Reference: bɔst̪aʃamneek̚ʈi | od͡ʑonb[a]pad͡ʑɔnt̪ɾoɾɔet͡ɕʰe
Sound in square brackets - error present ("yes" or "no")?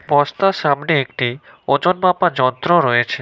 no